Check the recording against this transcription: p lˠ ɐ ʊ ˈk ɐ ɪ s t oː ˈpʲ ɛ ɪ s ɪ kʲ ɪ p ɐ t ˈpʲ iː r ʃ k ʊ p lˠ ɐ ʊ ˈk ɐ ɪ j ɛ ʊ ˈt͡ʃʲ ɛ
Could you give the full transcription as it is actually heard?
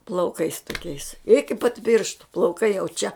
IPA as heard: p lˠ ɐ ʊ ˈk ɐ ɪ s t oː ˈkʲ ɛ ɪ s ɪ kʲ ɪ p ɐ t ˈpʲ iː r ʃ t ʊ p lˠ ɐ ʊ ˈk ɐ ɪ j ɛ ʊ ˈt͡ʃʲ ɛ